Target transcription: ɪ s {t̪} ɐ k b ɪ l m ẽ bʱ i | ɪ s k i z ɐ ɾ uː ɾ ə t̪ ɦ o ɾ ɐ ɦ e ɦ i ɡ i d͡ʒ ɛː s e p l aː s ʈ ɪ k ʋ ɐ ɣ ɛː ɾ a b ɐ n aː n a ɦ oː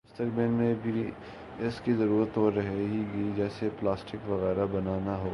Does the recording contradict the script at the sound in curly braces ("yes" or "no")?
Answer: no